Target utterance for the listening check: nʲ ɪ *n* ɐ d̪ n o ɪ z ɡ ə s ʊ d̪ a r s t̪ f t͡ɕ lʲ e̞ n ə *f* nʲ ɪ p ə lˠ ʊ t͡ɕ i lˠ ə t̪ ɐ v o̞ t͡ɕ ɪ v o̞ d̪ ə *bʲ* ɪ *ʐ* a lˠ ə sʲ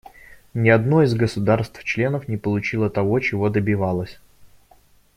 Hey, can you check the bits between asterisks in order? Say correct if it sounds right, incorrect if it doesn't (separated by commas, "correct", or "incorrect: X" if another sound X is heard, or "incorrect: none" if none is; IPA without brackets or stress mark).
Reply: incorrect: none, correct, correct, incorrect: v